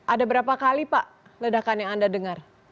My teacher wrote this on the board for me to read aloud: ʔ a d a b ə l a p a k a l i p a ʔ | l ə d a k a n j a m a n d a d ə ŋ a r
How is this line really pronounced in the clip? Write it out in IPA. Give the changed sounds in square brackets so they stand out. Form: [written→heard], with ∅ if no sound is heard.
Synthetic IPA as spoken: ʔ a d a b ə [l→ɾ] a p a k a l i p a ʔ | l ə d a k a n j a [m→ŋ] a n d a d ə ŋ a r